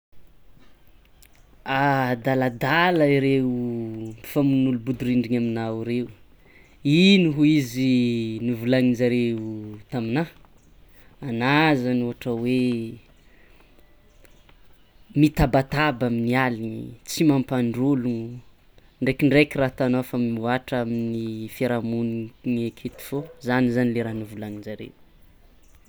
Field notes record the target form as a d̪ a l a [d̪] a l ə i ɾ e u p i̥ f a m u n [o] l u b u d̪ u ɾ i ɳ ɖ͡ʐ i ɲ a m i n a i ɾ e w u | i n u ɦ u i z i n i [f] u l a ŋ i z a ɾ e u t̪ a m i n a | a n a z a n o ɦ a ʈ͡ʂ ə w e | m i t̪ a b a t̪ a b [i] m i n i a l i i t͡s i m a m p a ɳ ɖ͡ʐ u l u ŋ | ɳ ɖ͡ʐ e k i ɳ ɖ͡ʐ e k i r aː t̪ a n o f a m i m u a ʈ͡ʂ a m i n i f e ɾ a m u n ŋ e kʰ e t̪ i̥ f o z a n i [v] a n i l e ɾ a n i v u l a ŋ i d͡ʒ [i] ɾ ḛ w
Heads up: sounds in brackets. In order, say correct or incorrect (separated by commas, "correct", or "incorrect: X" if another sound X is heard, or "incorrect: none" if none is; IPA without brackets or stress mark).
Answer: correct, incorrect: u, incorrect: v, incorrect: a, incorrect: z, incorrect: a